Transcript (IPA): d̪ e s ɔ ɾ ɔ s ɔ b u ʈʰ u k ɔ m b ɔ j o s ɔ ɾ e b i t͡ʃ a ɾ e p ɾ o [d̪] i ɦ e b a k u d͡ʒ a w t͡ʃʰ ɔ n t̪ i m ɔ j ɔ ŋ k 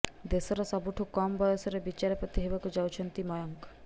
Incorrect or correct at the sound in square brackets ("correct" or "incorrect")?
incorrect